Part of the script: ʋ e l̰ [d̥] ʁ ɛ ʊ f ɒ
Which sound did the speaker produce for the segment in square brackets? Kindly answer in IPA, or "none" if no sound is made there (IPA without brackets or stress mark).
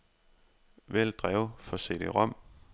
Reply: d̥